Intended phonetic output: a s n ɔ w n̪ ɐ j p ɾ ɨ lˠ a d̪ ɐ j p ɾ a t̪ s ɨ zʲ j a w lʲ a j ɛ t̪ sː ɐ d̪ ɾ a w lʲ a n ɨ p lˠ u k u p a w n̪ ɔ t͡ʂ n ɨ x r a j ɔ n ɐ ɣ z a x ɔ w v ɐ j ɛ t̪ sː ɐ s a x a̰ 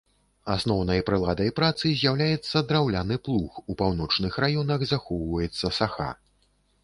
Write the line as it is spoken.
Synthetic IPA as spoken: a s n ɔ w n̪ ɐ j p ɾ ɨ lˠ a d̪ ɐ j p ɾ a t̪ s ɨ zʲ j a w lʲ a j ɛ t̪ sː ɐ d̪ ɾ a w lʲ a n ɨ p lˠ u x u p a w n̪ ɔ t͡ʂ n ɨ x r a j ɔ n ɐ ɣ z a x ɔ w v ɐ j ɛ t̪ sː ɐ s a x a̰